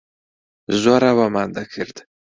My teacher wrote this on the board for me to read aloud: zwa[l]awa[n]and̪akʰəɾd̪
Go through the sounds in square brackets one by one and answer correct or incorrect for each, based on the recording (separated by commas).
incorrect, incorrect